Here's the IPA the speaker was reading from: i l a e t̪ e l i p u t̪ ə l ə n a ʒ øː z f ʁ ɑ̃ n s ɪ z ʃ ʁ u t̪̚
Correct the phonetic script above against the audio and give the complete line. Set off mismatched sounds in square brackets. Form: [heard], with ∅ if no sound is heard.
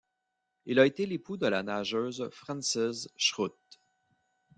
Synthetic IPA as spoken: i l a e t̪ e l [e] p u [d̪] ə l [a] n a ʒ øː z f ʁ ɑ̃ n s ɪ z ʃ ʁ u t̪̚